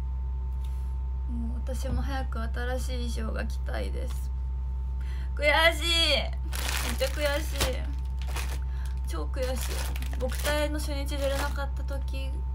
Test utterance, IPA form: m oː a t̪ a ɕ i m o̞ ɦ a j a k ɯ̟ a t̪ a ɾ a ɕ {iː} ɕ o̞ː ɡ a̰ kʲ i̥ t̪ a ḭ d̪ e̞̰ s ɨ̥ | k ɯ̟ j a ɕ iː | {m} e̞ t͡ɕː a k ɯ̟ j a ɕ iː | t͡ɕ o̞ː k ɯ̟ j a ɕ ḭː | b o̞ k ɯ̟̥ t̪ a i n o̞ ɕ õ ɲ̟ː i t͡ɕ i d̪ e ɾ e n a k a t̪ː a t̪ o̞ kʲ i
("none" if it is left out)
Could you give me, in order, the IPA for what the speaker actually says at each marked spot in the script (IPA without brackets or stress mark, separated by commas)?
iː, m